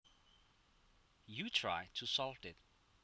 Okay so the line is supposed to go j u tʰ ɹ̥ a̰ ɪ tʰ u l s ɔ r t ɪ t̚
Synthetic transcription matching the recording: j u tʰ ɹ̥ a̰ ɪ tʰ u s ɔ l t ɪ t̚